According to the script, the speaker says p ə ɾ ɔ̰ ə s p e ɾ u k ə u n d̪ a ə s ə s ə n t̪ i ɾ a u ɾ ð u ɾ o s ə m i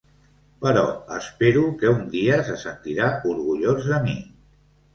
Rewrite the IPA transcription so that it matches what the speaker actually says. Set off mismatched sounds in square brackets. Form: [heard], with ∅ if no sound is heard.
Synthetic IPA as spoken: p ə ɾ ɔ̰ ə s p e ɾ u k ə u n d̪ [i] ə s ə s ə n t̪ i ɾ a u ɾ [ɣ] u [ʎ] o [z] ə m i